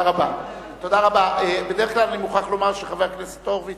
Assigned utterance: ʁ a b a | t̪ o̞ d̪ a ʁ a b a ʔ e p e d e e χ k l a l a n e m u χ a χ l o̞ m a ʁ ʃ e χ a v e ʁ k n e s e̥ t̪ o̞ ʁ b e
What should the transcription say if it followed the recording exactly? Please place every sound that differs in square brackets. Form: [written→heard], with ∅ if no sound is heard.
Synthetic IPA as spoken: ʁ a b a | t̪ o̞ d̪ a ʁ a b a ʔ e [p→b] e d e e χ k l a l a n [e→i] m u χ a χ l o̞ m a ʁ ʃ e χ a v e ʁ k n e s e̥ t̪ o̞ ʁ [b→v] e

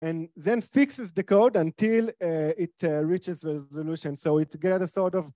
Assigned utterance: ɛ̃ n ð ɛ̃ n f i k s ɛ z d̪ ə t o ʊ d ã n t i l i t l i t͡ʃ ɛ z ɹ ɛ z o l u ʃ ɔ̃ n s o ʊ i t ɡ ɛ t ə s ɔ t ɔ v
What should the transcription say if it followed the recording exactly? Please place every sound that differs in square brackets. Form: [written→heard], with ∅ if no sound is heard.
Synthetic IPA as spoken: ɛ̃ n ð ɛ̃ n f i k s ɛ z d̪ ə [t→k] o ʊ d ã n t i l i t [l→ɹ] i t͡ʃ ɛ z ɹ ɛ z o l u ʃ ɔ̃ n s o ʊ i t ɡ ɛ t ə s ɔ t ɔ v

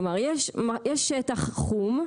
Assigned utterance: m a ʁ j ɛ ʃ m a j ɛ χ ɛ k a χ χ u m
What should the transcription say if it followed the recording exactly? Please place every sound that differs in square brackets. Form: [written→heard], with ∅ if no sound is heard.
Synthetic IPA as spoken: m a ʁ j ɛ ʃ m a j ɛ [χ→ʃ] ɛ [k→t] a χ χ u m

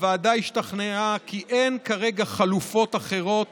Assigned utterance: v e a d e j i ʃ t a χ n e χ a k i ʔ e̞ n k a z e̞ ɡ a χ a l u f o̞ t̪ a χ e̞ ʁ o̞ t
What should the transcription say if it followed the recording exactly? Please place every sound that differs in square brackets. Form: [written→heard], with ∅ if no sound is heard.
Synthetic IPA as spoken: v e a d [e→a] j i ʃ t a χ n e [χ→∅] a k i ʔ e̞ n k a [z→ʁ] e̞ ɡ a χ a l u f o̞ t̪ a χ e̞ ʁ o̞ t

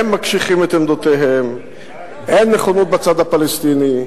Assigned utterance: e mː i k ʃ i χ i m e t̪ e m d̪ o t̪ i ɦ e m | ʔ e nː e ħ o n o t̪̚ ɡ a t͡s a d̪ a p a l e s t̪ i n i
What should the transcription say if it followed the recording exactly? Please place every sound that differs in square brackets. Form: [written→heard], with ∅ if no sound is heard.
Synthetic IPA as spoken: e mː [i→a] k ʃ i χ i m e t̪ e m d̪ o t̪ [i→e] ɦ e m | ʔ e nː e [ħ→χ] o n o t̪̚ [ɡ→b] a t͡s a d̪ a p a l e s t̪ i n i

